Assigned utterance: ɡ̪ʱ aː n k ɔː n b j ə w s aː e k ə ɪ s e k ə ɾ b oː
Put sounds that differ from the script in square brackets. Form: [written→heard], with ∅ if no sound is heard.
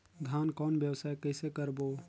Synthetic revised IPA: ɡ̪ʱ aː n k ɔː n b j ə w s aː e k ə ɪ s e k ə ɾ b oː